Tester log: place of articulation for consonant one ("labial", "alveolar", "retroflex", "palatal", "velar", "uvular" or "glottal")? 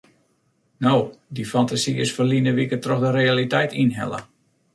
alveolar